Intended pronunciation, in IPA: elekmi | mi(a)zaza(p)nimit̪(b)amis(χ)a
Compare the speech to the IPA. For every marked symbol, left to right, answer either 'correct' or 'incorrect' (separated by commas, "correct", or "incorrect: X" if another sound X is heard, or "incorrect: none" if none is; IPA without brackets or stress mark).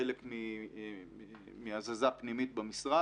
correct, correct, correct, incorrect: ʁ